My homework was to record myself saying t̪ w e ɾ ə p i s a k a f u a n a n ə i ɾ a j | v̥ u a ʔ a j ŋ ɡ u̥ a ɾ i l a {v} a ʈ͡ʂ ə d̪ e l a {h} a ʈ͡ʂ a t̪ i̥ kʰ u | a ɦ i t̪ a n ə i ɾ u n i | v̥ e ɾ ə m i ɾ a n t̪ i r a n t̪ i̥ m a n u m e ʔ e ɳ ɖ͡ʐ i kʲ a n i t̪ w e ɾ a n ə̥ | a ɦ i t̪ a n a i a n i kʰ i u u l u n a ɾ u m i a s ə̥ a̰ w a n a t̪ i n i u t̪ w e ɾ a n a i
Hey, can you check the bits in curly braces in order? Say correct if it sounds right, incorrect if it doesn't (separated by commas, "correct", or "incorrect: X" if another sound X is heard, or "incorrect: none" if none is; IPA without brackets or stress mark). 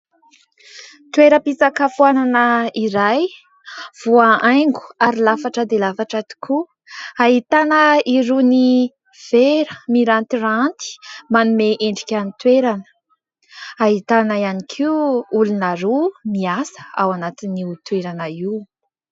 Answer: incorrect: f, incorrect: f